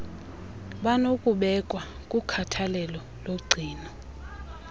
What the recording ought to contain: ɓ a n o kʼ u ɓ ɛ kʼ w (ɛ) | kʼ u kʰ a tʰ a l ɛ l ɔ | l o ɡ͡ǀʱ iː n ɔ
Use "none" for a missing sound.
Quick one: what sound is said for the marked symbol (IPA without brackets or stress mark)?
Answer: a